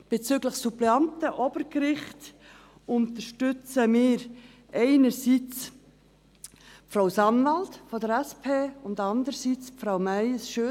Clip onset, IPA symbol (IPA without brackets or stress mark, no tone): b̥